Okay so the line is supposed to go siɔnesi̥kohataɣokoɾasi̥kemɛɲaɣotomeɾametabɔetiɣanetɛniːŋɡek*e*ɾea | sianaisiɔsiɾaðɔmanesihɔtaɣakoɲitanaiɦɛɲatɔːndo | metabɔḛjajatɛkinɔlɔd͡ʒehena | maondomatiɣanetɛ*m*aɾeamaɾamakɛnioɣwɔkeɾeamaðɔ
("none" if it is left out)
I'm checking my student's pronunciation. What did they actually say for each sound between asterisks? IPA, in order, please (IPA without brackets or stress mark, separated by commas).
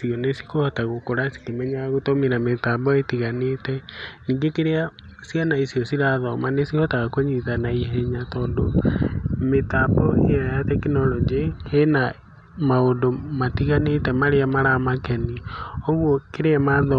e, m